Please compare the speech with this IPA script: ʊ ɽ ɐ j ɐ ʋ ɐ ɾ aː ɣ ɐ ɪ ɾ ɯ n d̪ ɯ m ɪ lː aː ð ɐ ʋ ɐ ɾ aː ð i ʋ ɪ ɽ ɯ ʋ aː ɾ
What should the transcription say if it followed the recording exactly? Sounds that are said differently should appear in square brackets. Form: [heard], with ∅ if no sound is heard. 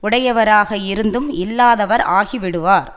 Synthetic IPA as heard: ʊ ɽ ɐ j ɐ ʋ ɐ ɾ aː ɣ ɐ ɪ ɾ ɯ n d̪ ɯ m ɪ lː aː ð ɐ ʋ ɐ ɾ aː [ɣ] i ʋ ɪ ɽ ɯ ʋ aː ɾ